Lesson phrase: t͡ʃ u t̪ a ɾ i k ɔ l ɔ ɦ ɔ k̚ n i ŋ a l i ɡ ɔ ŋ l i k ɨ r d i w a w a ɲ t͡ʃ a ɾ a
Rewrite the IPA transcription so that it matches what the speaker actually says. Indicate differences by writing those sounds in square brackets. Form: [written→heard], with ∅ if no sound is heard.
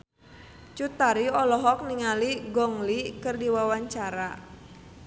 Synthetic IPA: t͡ʃ u t̪ a ɾ i [k→∅] ɔ l ɔ ɦ ɔ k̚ n i ŋ a l i ɡ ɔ ŋ l i k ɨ r d i w a w a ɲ t͡ʃ a ɾ a